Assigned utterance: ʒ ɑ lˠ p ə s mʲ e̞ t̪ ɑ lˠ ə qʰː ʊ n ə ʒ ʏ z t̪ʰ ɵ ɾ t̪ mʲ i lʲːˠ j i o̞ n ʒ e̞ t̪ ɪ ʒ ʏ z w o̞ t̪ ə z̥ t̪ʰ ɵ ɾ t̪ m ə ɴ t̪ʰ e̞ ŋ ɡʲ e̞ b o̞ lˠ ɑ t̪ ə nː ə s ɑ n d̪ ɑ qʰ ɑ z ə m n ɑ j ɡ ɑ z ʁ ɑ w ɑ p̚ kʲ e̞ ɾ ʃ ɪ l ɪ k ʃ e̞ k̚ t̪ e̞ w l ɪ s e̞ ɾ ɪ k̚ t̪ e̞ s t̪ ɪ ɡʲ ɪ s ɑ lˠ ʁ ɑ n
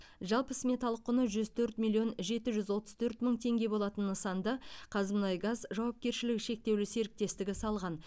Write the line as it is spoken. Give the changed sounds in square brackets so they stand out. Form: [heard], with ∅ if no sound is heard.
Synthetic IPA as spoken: ʒ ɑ lˠ p ə s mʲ e̞ t̪ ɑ lˠ ə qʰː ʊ n ə ʒ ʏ z t̪ʰ ɵ ɾ t̪ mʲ i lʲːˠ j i o̞ n ʒ e̞ t̪ ɪ ʒ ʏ z w o̞ t̪ ə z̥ t̪ʰ ɵ ɾ t̪ m ə ɴ t̪ʰ e̞ ŋ ɡʲ e̞ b o̞ lˠ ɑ t̪ ə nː ə s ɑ n d̪ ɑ qʰ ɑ z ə m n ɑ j ɡ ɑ z [ʒ] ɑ w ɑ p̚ kʲ e̞ ɾ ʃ ɪ l ɪ k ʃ e̞ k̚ t̪ e̞ w l ɪ s e̞ ɾ ɪ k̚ t̪ e̞ s t̪ ɪ ɡʲ ɪ s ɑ lˠ ʁ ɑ n

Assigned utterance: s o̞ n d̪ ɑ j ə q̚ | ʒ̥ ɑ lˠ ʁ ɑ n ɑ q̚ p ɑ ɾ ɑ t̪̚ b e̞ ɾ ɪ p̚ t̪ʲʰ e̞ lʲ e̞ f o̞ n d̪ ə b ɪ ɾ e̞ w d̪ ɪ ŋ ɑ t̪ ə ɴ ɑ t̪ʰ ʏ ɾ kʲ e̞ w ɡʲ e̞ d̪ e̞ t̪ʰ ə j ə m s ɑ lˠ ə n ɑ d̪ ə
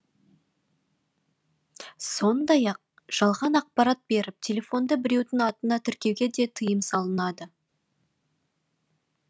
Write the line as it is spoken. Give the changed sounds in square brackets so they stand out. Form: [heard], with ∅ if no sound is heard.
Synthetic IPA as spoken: s o̞ n d̪ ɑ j [ɑ] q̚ | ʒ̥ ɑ lˠ ʁ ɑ n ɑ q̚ p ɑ ɾ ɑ t̪̚ b e̞ ɾ ɪ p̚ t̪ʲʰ e̞ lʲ e̞ f o̞ n d̪ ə b ɪ ɾ e̞ w d̪ ɪ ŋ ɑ t̪ ə [n] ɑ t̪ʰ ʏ ɾ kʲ e̞ w ɡʲ e̞ d̪ e̞ t̪ʰ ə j ə m s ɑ lˠ ə n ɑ d̪ ə

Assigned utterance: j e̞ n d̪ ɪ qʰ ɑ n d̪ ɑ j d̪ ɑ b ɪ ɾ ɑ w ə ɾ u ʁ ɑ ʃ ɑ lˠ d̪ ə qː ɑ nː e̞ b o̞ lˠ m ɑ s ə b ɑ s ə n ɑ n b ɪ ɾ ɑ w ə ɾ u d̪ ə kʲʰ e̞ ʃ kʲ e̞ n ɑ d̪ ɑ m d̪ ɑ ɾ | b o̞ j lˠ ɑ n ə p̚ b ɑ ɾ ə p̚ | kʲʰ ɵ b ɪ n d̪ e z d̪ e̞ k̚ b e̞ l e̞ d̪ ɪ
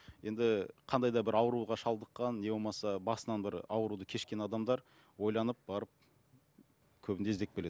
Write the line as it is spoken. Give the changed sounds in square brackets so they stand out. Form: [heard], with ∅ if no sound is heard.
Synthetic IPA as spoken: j e̞ n d̪ ɪ qʰ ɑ n d̪ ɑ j d̪ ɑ b ɪ ɾ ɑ w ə ɾ u ʁ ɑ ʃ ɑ lˠ d̪ ə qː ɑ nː e̞ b o̞ lˠ m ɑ s [ɑ] b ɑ s ə n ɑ n b ɪ ɾ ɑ w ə ɾ u d̪ ə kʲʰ e̞ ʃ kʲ e̞ n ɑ d̪ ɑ m d̪ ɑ ɾ | [w] o̞ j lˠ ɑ n ə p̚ b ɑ ɾ ə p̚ | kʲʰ ɵ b ɪ n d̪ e z d̪ e̞ k̚ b e̞ l e̞ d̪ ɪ

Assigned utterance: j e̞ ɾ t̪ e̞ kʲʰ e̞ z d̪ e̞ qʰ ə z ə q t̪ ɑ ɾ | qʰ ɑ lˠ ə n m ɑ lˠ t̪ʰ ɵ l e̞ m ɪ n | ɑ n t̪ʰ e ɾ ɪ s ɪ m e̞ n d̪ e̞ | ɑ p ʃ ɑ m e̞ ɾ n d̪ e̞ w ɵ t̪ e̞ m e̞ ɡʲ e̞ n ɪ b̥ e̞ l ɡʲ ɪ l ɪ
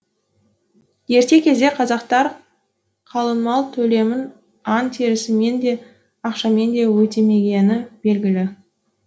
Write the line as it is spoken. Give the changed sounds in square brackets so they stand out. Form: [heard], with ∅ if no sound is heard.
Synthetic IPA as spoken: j e̞ ɾ t̪ e̞ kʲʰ e̞ z d̪ e̞ qʰ [ɑ] z [ɑ] q t̪ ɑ ɾ | qʰ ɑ lˠ ə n m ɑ lˠ t̪ʰ ɵ l e̞ m ɪ n | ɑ n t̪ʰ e ɾ ɪ s ɪ m e̞ n d̪ e̞ | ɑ [q] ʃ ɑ m e̞ [∅] n d̪ e̞ w ɵ t̪ e̞ m e̞ ɡʲ e̞ n ɪ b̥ e̞ l ɡʲ ɪ l ɪ

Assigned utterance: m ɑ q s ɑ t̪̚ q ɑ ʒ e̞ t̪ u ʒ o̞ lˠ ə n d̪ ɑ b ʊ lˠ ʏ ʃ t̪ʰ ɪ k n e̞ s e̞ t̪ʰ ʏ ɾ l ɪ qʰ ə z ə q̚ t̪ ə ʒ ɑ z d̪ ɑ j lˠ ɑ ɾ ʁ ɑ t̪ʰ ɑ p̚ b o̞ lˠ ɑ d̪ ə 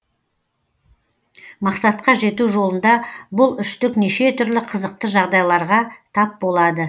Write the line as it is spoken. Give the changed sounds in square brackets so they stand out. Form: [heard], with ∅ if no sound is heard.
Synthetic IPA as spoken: m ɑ q s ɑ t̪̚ q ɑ ʒ e̞ t̪ u ʒ o̞ lˠ ə n d̪ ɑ b ʊ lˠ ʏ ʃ [t̪] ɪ k n e̞ [ʃ] e̞ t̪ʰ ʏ ɾ l ɪ qʰ ə z ə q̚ t̪ ə ʒ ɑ [ʁ] d̪ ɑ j lˠ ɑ ɾ ʁ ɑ t̪ʰ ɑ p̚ b o̞ lˠ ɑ d̪ ə

